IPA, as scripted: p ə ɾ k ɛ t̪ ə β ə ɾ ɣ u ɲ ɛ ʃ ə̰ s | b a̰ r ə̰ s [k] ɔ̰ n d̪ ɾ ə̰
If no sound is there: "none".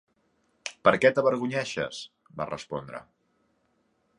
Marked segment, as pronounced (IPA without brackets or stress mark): p